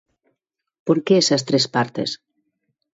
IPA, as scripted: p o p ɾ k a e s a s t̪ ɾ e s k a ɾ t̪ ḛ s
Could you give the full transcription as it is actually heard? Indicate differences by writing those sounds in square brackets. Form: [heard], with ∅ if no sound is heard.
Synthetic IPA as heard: p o [∅] ɾ k [e] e s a s t̪ ɾ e s [p] a ɾ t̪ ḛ s